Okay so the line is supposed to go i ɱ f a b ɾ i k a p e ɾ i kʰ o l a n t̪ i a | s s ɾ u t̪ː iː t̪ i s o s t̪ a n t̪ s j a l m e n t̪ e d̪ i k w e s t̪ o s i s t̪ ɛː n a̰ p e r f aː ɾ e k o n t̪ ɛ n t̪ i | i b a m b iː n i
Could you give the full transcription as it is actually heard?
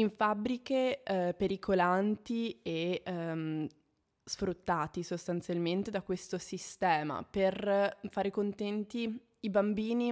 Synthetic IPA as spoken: i ɱ f a b ɾ i k e p e ɾ i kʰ o l a n t̪ i e | s f ɾ u t̪ː aː t̪ i s o s t̪ a n t̪ s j a l m e n t̪ e d̪ a k w e s t̪ o s i s t̪ ɛː m a̰ p e r f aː ɾ e k o n t̪ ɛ n t̪ i | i b a m b iː n i